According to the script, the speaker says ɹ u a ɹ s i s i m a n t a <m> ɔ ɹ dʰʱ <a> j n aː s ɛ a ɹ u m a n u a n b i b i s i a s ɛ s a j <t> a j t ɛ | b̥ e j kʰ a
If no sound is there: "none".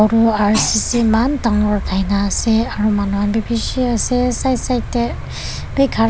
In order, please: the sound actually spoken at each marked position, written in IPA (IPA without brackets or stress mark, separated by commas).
ŋ, a, s